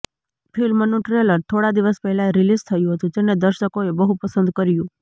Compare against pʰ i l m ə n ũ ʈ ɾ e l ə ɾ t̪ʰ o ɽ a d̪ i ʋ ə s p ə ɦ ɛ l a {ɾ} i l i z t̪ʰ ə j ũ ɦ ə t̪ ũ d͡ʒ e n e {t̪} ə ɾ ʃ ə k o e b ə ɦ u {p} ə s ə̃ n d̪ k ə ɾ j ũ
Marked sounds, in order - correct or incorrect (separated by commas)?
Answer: correct, incorrect, correct